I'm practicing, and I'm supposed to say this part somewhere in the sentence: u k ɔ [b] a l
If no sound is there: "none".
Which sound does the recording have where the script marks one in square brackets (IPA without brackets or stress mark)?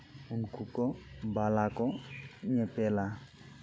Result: b